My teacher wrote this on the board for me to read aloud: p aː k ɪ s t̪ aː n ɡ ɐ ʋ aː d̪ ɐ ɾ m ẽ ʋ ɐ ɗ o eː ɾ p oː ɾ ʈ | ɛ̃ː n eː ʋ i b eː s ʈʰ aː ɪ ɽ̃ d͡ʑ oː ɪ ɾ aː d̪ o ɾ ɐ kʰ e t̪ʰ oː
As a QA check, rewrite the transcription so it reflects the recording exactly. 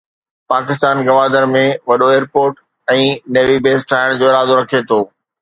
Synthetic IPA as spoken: p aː k ɪ s t̪ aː n ɡ ɐ ʋ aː d̪ ə ɾ m ẽ ʋ ɐ ɗ o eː ɾ p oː ɾ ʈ | ɛ̃ː n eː ʋ i b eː s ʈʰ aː ɪ ɽ̃ d͡ʑ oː ɪ ɾ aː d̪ o ɾ ɐ kʰ e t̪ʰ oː